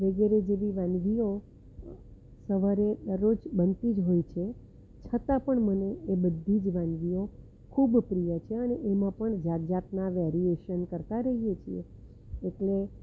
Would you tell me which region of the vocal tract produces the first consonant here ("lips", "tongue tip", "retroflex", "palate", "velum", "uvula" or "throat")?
lips